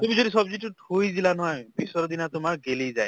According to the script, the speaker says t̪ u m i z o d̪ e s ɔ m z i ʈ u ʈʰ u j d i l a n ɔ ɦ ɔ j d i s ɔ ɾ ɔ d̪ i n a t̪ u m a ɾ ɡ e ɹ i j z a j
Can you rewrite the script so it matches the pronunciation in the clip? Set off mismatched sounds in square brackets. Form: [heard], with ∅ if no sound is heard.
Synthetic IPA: t̪ u m i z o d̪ [i] s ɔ [b] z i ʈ u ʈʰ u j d i l a n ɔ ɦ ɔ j [b] i s ɔ ɾ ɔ d̪ i n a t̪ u m a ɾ ɡ e [l] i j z a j